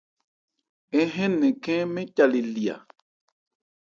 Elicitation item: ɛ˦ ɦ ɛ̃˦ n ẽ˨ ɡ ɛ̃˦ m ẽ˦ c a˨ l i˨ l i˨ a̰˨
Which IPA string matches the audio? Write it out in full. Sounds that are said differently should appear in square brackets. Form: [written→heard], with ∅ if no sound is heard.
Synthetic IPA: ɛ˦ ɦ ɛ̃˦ n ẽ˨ [ɡ→k] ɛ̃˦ m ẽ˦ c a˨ l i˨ l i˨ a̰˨